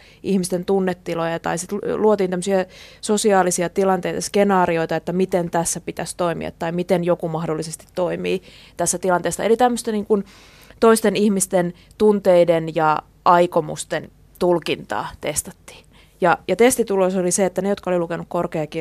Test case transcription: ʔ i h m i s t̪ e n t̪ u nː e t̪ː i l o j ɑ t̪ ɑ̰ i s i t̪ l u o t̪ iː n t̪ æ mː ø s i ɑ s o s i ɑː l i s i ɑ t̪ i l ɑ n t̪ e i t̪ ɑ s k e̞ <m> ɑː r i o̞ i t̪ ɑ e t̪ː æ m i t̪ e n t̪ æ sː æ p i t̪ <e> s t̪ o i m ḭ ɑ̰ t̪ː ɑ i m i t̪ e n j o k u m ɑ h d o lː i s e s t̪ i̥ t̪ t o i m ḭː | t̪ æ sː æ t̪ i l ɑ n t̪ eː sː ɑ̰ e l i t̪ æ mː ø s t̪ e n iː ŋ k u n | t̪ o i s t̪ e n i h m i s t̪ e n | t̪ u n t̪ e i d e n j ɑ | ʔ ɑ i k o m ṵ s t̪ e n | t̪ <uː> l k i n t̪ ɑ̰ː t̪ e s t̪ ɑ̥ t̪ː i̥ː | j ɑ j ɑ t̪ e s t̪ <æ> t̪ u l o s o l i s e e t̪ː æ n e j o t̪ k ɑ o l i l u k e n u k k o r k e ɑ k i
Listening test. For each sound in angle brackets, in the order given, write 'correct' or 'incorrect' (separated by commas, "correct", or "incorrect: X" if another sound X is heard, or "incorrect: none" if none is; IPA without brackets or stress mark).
incorrect: n, incorrect: æ, incorrect: u, incorrect: i